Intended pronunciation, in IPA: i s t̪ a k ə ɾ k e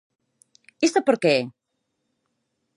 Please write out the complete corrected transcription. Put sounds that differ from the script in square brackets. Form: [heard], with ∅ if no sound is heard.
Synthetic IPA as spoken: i s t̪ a [p] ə ɾ k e